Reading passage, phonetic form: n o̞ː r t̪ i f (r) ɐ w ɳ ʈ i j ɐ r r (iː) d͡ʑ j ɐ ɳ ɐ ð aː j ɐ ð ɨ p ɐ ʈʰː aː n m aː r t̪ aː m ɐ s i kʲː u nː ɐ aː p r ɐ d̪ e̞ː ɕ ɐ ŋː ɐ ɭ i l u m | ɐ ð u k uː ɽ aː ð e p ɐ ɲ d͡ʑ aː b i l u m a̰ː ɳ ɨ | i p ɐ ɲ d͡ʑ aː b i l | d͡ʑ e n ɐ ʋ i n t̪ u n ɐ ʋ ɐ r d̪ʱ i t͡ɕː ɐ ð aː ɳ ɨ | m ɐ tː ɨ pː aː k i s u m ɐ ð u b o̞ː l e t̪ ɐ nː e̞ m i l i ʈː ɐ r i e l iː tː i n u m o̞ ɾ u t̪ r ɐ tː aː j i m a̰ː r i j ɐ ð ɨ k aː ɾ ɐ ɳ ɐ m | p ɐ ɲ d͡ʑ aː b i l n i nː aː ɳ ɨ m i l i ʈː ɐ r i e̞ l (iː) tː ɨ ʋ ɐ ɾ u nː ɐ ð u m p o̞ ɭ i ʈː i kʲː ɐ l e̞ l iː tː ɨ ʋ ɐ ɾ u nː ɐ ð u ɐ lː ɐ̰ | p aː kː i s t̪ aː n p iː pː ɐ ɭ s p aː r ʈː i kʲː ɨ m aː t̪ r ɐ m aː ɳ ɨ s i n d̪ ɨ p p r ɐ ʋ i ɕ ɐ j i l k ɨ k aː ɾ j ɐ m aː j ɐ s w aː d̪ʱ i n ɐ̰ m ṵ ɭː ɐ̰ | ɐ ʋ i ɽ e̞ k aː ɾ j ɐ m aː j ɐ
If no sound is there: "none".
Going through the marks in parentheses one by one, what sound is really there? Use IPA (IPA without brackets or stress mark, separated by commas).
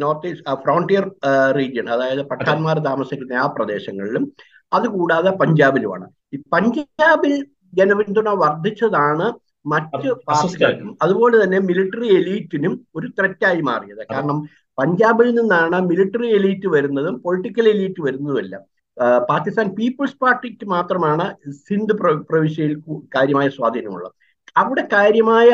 r, iː, iː